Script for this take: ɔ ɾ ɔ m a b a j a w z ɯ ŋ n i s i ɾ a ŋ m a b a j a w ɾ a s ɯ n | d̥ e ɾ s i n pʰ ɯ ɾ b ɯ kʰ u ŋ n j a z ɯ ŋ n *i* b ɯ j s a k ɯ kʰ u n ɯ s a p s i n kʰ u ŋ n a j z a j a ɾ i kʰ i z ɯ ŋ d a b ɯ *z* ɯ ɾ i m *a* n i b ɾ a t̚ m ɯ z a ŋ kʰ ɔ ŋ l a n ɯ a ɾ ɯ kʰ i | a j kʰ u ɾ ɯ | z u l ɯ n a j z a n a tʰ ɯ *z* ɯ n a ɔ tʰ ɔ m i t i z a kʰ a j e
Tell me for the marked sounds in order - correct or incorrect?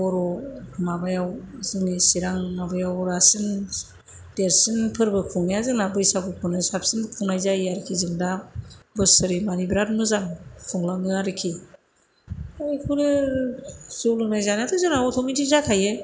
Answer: incorrect: a, incorrect: s, correct, correct

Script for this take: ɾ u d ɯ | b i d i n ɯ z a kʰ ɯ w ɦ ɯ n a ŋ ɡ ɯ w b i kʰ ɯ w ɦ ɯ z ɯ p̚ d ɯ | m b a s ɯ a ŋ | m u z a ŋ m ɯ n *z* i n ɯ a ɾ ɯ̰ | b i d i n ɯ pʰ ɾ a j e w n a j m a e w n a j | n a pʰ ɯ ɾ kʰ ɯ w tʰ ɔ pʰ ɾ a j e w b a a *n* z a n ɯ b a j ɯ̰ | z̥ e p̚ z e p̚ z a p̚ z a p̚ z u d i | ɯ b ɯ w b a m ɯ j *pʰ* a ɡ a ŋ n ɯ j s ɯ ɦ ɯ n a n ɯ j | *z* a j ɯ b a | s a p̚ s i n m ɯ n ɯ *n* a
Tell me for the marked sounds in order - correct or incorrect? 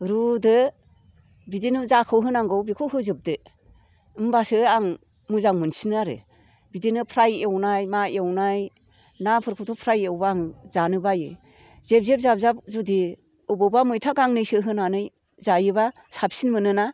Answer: incorrect: s, incorrect: ŋ, incorrect: tʰ, correct, correct

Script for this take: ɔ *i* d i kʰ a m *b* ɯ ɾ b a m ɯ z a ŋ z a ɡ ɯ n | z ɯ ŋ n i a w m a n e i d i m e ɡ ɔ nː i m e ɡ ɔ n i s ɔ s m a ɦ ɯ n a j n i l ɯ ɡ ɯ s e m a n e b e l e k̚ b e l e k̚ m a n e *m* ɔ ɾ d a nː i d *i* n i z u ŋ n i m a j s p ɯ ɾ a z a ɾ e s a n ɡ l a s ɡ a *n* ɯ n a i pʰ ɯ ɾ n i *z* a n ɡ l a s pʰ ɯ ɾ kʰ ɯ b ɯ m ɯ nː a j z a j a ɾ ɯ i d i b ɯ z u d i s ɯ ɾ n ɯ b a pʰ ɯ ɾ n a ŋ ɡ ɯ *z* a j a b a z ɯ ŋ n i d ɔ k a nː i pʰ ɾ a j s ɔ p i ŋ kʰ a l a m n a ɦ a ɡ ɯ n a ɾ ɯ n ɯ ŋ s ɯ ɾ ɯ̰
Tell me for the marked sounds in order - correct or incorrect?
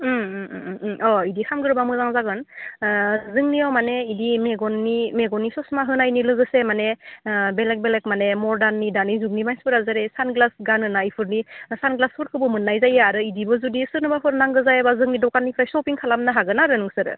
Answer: correct, incorrect: ɡ, correct, incorrect: a, correct, incorrect: s, correct

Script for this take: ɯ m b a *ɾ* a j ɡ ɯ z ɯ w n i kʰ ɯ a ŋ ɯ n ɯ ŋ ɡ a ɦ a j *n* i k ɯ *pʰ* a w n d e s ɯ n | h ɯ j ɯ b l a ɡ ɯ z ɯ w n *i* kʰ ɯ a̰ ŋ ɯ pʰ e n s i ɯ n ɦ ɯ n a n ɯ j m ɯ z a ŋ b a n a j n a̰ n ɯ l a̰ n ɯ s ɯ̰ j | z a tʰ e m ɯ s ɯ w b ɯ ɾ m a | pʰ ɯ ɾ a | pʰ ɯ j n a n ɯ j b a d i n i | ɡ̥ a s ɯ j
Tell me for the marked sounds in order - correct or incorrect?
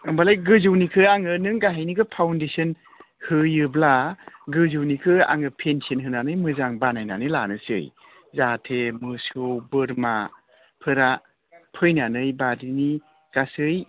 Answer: incorrect: l, correct, correct, correct

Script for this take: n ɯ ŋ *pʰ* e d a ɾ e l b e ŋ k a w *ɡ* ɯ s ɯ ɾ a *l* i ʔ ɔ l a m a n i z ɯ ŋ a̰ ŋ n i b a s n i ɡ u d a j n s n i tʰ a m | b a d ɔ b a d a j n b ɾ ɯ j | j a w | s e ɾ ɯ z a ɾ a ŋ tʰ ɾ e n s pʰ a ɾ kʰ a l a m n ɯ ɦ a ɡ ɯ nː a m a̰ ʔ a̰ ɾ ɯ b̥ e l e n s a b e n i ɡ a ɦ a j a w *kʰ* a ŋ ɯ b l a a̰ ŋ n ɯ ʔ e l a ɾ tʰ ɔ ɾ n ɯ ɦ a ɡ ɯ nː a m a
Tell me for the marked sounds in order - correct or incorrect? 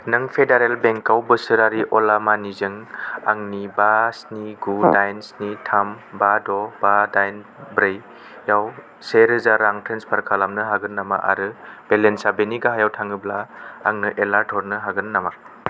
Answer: correct, incorrect: b, incorrect: ɾ, incorrect: tʰ

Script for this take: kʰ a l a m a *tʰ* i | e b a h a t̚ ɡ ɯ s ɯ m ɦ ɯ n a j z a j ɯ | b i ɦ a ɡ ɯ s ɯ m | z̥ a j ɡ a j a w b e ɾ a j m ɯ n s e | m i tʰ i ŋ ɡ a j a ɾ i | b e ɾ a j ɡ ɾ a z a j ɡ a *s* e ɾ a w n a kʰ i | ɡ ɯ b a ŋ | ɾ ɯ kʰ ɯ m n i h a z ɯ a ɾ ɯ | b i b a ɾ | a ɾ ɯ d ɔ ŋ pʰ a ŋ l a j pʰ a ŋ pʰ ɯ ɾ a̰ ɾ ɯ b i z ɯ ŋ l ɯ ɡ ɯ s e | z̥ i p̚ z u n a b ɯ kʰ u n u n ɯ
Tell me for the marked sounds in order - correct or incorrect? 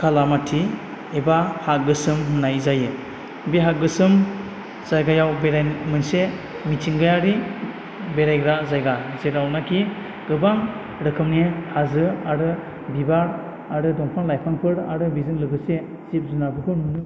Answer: correct, incorrect: z

